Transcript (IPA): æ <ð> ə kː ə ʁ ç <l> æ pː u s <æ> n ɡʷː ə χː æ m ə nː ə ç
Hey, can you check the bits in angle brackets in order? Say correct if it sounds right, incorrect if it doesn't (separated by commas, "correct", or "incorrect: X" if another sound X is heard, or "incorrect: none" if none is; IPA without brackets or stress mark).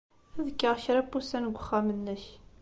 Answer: correct, incorrect: ɾ, correct